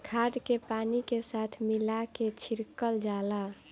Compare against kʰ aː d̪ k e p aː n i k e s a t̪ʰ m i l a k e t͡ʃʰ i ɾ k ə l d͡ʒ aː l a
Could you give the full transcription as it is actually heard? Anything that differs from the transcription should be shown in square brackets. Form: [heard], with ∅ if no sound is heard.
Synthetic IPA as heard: kʰ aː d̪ k e p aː n i k e s a t̪ʰ m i l a k e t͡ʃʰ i ɾ k ə l d͡ʒ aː l a